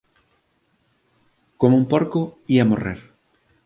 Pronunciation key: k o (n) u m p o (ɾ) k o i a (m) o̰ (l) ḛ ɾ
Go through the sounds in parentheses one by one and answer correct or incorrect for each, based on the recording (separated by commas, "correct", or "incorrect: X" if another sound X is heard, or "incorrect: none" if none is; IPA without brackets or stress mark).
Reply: incorrect: m, correct, correct, incorrect: r